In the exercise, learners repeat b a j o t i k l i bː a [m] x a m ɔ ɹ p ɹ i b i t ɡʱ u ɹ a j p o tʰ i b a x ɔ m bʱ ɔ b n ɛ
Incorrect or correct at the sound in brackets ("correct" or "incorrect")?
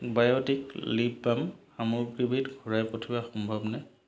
correct